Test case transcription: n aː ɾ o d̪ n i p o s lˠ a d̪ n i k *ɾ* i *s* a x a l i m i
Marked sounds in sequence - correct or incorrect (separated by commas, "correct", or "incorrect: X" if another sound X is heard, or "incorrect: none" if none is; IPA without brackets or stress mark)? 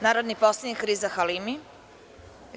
correct, incorrect: z